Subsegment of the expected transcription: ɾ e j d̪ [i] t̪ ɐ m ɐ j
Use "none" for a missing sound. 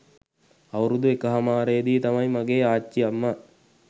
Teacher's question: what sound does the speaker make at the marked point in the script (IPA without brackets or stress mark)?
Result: iː